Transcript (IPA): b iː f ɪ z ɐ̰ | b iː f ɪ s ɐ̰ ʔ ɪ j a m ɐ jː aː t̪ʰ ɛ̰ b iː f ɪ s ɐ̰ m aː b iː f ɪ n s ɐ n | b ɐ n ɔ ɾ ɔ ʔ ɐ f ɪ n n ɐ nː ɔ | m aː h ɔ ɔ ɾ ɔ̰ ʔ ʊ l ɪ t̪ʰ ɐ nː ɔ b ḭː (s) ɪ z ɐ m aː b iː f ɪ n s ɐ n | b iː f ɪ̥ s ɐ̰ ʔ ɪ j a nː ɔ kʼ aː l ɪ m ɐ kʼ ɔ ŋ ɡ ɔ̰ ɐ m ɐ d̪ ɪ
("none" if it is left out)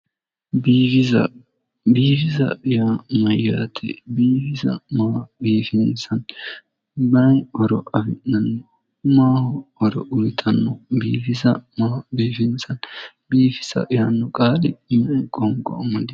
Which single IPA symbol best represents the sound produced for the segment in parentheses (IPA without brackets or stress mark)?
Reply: f